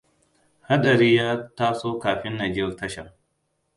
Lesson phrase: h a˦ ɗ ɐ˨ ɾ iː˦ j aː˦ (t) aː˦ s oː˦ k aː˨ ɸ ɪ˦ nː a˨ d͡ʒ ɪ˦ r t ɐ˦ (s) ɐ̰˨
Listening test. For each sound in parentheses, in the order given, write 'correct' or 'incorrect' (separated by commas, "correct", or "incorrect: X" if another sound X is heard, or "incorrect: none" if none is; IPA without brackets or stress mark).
correct, incorrect: ʃ